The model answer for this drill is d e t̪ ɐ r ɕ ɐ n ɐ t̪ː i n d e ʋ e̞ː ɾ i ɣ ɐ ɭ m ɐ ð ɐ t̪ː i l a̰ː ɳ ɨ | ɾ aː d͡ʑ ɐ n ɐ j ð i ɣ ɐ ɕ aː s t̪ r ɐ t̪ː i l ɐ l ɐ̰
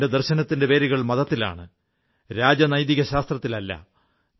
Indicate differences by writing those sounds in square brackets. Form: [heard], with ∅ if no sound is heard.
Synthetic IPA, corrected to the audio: d e [d̪] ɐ r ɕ ɐ n ɐ t̪ː i n d e ʋ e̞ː ɾ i ɣ ɐ ɭ m ɐ ð ɐ t̪ː i l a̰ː ɳ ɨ | ɾ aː d͡ʑ ɐ n ɐ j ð i ɣ ɐ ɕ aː s t̪ r ɐ t̪ː i l ɐ [lː] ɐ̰

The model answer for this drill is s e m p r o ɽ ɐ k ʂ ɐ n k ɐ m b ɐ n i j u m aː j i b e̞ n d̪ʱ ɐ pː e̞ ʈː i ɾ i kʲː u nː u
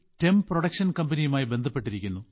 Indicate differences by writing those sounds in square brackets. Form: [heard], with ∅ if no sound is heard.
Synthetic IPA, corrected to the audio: [t] e m p r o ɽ ɐ k ʂ ɐ n k ɐ m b ɐ n i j u m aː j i b e̞ n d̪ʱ ɐ pː e̞ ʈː i ɾ i kʲː u nː u

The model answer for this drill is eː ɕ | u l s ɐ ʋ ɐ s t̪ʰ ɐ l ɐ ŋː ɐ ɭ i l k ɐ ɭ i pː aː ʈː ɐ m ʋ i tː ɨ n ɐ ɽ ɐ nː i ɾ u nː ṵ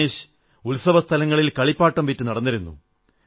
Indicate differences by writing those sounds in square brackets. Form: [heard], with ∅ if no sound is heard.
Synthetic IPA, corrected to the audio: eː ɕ | u l s ɐ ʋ ɐ s t̪ʰ ɐ l ɐ ŋː ɐ ɭ i l k ɐ ɭ i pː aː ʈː ɐ m ʋ i tː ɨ n ɐ ɽ ɐ nː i ɾ u nː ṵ

